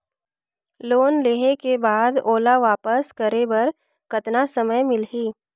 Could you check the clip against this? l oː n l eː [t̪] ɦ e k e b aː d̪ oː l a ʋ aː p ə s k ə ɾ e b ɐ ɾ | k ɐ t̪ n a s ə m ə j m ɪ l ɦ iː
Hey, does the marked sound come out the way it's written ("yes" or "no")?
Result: no